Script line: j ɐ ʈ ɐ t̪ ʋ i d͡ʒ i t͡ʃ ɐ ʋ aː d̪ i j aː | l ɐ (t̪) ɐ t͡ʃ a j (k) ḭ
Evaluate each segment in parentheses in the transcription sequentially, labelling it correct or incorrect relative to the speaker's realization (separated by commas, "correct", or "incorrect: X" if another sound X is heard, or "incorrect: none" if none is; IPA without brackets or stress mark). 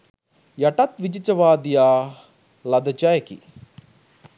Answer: incorrect: d̪, correct